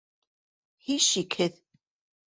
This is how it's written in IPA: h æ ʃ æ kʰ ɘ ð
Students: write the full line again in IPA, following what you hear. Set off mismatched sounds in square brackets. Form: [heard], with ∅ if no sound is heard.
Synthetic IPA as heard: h [i] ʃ [i] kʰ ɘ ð